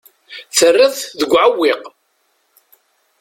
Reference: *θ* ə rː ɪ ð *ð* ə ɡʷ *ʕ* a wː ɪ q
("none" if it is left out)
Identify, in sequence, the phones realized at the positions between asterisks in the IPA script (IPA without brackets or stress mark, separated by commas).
θ, ð, ʕ